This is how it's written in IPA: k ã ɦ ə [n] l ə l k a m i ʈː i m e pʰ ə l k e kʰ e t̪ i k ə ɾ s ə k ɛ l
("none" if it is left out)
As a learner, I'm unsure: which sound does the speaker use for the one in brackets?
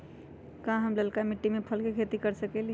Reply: m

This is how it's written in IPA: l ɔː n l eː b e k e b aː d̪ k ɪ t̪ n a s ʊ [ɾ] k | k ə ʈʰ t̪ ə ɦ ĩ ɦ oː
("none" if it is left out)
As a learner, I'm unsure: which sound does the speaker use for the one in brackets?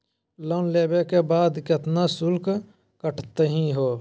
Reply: l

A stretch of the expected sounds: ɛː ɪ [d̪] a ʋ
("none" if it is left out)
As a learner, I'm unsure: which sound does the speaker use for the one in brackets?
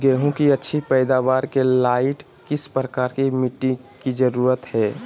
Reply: d̪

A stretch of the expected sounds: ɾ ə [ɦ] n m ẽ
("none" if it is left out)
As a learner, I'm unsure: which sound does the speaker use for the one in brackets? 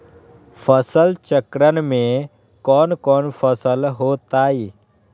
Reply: none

